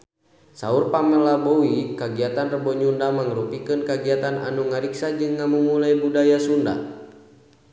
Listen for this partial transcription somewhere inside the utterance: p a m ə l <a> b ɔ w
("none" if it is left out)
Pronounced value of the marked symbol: a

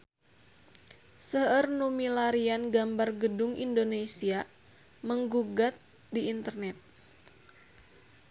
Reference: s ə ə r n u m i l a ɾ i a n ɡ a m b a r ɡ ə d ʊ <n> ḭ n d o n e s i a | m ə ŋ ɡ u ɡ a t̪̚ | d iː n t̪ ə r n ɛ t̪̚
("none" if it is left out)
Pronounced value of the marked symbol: ŋ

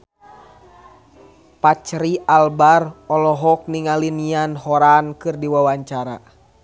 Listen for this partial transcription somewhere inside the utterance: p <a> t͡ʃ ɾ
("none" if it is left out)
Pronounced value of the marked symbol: a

